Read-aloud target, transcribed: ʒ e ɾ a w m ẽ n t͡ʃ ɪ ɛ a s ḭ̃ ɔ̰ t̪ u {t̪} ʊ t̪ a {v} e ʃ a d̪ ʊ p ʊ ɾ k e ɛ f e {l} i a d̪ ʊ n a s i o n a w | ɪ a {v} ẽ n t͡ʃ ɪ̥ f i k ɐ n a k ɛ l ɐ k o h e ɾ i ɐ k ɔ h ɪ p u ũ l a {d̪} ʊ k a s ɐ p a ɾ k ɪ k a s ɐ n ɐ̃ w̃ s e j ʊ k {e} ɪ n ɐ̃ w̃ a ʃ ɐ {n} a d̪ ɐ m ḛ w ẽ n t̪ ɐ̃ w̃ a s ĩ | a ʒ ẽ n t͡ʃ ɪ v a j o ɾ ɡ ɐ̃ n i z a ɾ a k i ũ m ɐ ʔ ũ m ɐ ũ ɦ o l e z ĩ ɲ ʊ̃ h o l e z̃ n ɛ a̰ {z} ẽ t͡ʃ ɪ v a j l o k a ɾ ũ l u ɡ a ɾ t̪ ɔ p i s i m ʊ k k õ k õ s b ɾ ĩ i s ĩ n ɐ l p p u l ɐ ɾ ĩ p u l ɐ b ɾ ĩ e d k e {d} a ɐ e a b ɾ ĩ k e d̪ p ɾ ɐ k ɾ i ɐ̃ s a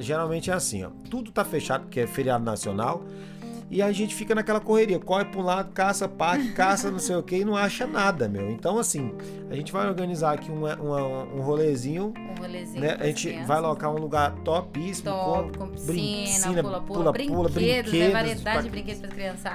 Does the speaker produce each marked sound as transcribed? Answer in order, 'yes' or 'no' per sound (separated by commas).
no, no, no, no, yes, yes, yes, no, yes